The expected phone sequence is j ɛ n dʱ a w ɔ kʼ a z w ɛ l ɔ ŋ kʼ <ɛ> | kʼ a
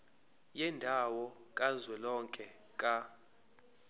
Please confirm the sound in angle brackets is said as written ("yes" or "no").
yes